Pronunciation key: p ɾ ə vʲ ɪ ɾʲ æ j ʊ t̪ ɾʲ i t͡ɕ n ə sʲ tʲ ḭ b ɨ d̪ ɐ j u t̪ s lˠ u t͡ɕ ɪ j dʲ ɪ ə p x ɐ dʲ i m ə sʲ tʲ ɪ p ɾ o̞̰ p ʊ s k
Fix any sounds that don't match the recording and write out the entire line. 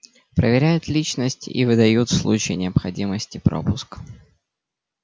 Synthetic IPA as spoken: p ɾ ə vʲ ɪ ɾʲ æ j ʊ t̪ lʲ i t͡ɕ n ə sʲ tʲ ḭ v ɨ d̪ ɐ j u t̪ s lˠ u t͡ɕ ɪ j nʲ ɪ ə p x ɐ dʲ i m ə sʲ tʲ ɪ p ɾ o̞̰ p ʊ s k